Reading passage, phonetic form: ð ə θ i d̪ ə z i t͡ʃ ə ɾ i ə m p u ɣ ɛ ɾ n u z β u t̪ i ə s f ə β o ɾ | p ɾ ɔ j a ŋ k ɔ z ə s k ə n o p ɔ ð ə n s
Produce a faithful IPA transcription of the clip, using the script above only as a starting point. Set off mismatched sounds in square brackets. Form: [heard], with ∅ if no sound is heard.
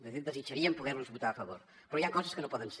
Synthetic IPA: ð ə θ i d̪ ə z i t͡ʃ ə ɾ i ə m p u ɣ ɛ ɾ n u z β u t̪ [a] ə [∅] f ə β o ɾ | p ɾ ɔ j a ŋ k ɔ z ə s k ə n o p ɔ ð ə n s

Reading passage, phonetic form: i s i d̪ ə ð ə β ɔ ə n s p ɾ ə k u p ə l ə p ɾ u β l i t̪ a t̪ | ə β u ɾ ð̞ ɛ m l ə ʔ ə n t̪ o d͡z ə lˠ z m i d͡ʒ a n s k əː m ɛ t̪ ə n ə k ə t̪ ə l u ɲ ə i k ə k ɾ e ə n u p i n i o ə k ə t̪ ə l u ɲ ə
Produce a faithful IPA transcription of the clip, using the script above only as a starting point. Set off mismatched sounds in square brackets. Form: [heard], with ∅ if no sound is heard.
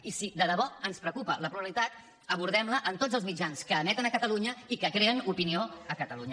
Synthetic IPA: i s i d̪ ə ð ə β ɔ ə n s p ɾ ə k u p ə l ə p ɾ u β l i t̪ a t̪ | ə β u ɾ ð̞ ɛ m l ə ʔ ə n t̪ o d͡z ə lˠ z m i d͡ʒ a n s k əː m ɛ t̪ ə n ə k ə t̪ ə l u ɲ ə i k ə k ɾ e ə n u p i n i o ə k ə t̪ ə l u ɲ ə

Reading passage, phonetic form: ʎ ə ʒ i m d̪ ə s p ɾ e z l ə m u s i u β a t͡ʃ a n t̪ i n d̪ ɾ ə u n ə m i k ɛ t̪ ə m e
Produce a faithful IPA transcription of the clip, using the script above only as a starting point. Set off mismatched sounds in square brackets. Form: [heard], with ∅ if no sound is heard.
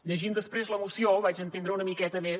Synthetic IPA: ʎ ə ʒ i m d̪ ə s p ɾ e z l ə m u s i [o] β a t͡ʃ [ə] n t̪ [e] n d̪ ɾ ə u n ə m i k ɛ t̪ ə m e

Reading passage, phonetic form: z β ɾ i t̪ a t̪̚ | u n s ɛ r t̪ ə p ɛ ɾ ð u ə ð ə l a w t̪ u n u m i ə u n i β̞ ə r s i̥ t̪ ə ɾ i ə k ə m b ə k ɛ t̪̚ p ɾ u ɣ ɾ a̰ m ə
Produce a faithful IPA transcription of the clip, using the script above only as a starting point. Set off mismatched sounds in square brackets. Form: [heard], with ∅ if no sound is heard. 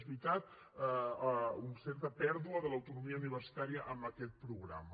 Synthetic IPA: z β ɾ i t̪ a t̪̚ | u n s ɛ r t̪ ə p ɛ ɾ ð u ə ð ə l [ə] w t̪ u n u m i ə u n i β̞ ə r s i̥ t̪ [a] ɾ i ə [ʔ] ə m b ə k ɛ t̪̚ p ɾ u ɣ ɾ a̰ m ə

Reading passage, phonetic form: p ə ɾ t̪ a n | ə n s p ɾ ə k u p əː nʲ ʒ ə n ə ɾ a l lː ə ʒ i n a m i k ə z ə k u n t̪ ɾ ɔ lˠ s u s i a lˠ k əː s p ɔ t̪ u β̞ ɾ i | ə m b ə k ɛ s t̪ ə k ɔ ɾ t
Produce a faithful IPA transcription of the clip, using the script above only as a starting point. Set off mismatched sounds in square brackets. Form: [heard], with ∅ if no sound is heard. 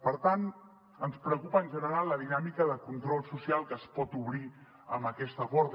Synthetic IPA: p ə ɾ t̪ a n | ə n s p ɾ ə k u p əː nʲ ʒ ə n ə ɾ a l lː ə [ð] i n a m i k ə [ð] ə k u n t̪ ɾ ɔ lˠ s u s i a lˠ k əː s p ɔ t̪ u β̞ ɾ i | ə m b ə k ɛ s t̪ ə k ɔ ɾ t

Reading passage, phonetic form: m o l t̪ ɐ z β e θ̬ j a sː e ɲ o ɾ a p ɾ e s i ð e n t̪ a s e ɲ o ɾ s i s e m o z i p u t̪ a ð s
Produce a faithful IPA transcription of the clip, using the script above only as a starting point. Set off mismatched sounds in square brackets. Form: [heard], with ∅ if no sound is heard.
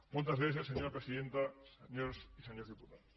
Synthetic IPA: m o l t̪ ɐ z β e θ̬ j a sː e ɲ o ɾ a p ɾ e s i ð e n t̪ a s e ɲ o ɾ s i s e [ɲ] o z i p u t̪ a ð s

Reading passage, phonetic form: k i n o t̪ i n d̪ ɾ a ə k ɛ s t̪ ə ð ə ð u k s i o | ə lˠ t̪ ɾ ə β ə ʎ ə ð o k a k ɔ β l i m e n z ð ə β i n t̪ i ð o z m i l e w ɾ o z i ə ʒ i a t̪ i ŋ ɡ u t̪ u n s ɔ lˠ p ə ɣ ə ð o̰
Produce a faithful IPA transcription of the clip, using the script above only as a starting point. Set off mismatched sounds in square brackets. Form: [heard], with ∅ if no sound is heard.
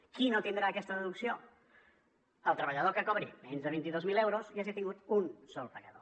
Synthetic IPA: k i n o t̪ i n d̪ ɾ a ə k ɛ s t̪ ə ð ə ð u k s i o | ə lˠ t̪ ɾ ə β ə ʎ ə ð o k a k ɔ β [ɾ] i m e n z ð ə β i n t̪ i ð o z m i l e w ɾ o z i [a] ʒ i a t̪ i ŋ ɡ u t̪ u n s ɔ lˠ p ə ɣ ə ð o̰

